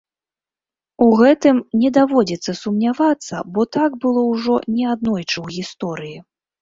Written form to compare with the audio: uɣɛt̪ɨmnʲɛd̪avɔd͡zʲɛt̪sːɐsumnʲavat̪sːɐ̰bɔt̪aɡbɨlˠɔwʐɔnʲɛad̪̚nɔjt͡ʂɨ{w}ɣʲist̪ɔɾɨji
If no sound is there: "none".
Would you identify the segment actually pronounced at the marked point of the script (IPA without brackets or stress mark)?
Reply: w